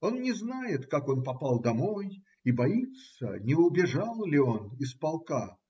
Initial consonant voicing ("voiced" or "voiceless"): voiced